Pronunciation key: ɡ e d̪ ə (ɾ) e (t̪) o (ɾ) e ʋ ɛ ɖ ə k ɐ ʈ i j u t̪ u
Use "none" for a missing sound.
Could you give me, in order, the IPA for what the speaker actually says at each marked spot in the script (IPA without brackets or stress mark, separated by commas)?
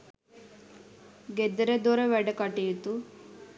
ɾ, d̪, ɾ